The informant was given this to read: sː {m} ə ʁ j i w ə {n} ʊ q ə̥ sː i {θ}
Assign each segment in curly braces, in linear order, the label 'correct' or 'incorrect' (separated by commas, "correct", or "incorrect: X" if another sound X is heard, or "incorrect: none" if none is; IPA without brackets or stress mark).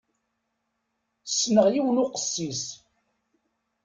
incorrect: n, correct, incorrect: s